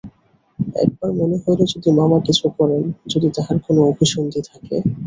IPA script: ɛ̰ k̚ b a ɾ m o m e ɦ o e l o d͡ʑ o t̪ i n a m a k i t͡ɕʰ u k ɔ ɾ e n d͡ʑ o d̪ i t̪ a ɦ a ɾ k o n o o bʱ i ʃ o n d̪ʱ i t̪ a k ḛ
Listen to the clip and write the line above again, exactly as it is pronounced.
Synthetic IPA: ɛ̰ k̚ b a ɾ m o n e ɦ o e l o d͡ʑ o d̪ i m a m a k i t͡ɕʰ u k ɔ ɾ e n d͡ʑ o d̪ i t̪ a ɦ a ɾ k o n o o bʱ i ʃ o n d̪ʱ i t̪ʰ a k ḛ